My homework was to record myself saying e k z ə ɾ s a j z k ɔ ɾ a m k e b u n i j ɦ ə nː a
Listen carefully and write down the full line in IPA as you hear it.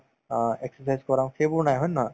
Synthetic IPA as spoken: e k s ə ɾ s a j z k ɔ ɾ a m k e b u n a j ɦ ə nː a